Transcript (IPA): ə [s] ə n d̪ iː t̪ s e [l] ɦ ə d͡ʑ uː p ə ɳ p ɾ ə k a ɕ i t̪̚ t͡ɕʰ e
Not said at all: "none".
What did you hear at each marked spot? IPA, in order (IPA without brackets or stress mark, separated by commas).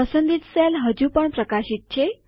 s, l